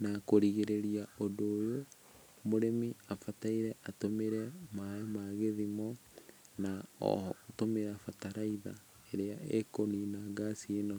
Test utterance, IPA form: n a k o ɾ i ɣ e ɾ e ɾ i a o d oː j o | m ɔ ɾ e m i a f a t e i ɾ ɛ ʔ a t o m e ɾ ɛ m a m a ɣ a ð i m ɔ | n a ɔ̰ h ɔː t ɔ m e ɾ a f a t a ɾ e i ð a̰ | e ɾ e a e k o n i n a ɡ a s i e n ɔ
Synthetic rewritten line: n a k o ɾ i ɣ e ɾ e ɾ i a o d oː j o | m o ɾ e m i a f a t a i ɾ ɛ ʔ a t o m e ɾ ɛ m a m a ɣ e ð i m ɔ | n a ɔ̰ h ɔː t o m e ɾ a f a t a ɾ a i ð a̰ | e ɾ e a e k o n i n a ɡ a s i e n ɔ

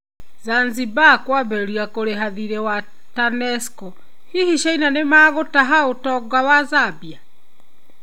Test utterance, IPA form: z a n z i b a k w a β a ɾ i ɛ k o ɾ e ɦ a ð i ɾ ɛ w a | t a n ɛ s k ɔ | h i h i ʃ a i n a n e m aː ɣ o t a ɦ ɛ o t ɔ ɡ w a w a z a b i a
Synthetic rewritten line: z a n z i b a k w a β ɛ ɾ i a k o ɾ e ɦ a ð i ɾ ɛ w a | t a n ɛ s k ɔ | h i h i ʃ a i n a n e m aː ɣ o t a ɦ a o t ɔ ɡ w a w a z a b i a

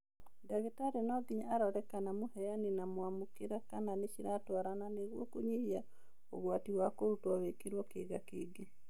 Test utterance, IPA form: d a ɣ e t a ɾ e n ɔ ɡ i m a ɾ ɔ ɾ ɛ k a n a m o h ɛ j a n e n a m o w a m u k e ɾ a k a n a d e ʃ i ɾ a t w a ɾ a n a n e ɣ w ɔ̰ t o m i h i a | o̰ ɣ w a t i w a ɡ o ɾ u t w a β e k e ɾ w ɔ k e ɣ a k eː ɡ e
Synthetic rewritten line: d a ɣ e t a ɾ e n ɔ ɡ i ɲ a ɾ ɔ ɾ ɛ k a n a m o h ɛ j a n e n a m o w a m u k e ɾ a k a n a n e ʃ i ɾ a t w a ɾ a n a n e ɣ w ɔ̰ k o ɲ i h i a | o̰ ɣ w a t i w a k o ɾ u t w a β e k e ɾ w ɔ k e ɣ a k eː ɡ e

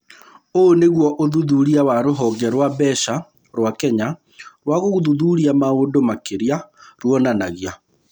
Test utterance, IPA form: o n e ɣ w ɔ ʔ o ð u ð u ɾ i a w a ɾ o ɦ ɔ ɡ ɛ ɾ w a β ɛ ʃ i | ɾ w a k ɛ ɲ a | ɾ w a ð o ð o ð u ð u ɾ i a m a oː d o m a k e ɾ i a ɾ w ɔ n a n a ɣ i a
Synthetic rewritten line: o n e ɣ w ɔ ʔ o ð u ð u ɾ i a w a ɾ o ɦ ɔ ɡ ɛ ɾ w a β ɛ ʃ a | ɾ w a k ɛ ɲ a | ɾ w a ɣ o ɣ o ð u ð u ɾ i a m a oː d o m a k e ɾ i a ɾ w ɔ n a n a ɣ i a

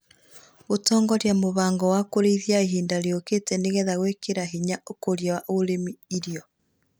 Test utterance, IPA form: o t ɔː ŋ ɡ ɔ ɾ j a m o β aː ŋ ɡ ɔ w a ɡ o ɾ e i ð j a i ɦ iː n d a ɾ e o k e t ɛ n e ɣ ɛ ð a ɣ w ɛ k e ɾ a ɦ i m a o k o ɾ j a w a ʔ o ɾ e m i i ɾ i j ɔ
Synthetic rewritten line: o t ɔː ŋ ɡ ɔ ɾ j a m o β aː ŋ ɡ ɔ w a k o ɾ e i ð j a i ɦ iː n d a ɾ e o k e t ɛ n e ɣ ɛ ð a ɣ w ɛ k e ɾ a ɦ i ɲ a o k o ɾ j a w a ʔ o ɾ e m i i ɾ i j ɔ

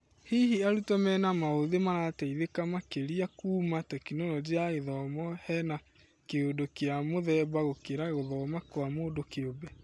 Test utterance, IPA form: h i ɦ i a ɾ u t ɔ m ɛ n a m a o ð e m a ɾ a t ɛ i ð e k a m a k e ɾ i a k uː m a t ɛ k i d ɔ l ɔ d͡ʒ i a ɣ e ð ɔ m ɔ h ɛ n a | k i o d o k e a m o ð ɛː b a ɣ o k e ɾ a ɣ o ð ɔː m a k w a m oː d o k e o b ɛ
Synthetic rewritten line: h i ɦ i a ɾ u t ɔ m ɛ n a m a o ð e m a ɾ a t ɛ i ð e k a m a k e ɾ i a k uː m a t ɛ k i n ɔ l ɔ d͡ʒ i a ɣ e ð ɔ m ɔ h ɛ n a | k e o d o k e a m o ð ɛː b a ɣ o k e ɾ a ɣ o ð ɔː m a k w a m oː d o k e o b ɛ

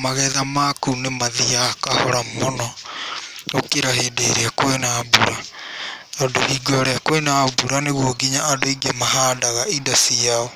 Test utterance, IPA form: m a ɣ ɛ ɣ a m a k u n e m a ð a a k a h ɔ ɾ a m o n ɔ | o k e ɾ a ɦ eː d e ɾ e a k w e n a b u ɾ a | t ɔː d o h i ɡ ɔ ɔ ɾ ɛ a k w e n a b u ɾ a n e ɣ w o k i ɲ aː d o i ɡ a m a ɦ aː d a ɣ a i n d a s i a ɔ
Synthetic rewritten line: m a ɣ ɛ ð a m a k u n e m a ð i a k a h ɔ ɾ a m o n ɔ | o k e ɾ a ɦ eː d e ɾ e a k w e n a b u ɾ a | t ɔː d o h i ɡ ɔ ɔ ɾ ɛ a k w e n a b u ɾ a n e ɣ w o ɡ i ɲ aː d o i ɡ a m a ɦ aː d a ɣ a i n d a s i a ɔ

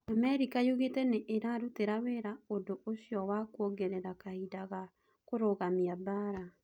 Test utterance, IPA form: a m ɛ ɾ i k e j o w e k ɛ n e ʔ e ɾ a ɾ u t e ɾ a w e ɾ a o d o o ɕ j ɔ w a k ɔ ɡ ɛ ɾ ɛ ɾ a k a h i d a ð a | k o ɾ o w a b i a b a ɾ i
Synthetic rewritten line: a m ɛ ɾ i k a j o ɣ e t ɛ n e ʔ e ɾ a ɾ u t e ɾ a w e ɾ a o d o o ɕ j ɔ w a k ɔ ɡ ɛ ɾ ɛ ɾ a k a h i d a ɣ a | k o ɾ o ɣ a m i a b a ɾ a

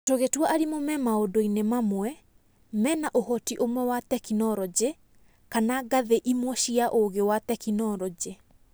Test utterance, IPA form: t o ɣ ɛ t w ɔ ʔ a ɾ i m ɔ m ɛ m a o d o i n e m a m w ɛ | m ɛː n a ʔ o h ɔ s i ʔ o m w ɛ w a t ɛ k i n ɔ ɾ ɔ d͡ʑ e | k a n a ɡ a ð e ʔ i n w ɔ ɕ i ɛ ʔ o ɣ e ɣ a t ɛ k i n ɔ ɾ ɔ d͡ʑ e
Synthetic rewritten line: t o ɣ e t w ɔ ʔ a ɾ i m o m ɛ m a o d o i n e m a m w ɛ | m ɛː n a ʔ o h ɔ t i ʔ o m w ɛ w a t ɛ k i n ɔ ɾ ɔ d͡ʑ e | k a n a ɡ a ð e ʔ i m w ɔ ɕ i a ʔ o ɣ e w a t ɛ k i n ɔ ɾ ɔ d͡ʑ e

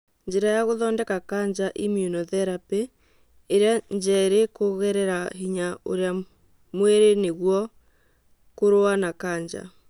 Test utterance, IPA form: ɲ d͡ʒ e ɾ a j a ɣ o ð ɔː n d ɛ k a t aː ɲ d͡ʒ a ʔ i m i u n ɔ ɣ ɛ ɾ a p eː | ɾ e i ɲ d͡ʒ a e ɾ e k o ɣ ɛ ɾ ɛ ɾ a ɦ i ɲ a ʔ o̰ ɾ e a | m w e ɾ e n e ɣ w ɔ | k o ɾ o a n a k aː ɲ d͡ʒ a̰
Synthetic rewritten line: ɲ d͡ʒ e ɾ a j a ɣ o ð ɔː n d ɛ k a k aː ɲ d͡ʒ a ʔ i m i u n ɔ ð ɛ ɾ a p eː | ɾ e a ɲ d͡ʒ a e ɾ e k o ɣ ɛ ɾ ɛ ɾ a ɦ i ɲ a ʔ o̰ ɾ e a | m w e ɾ e n e ɣ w ɔ | k o ɾ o a n a k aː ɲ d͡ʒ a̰

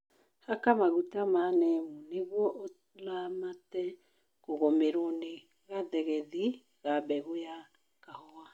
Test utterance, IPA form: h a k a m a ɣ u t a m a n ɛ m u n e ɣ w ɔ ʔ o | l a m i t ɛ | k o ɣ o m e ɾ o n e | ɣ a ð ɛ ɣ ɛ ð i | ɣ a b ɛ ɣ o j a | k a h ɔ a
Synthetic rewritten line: h a k a m a ɣ u t a m a n ɛ m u n e ɣ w ɔ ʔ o | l a m a t ɛ | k o ɣ o m e ɾ o n e | ɣ a ð ɛ ɣ ɛ ð i | ɣ a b ɛ ɣ o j a | k a h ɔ a

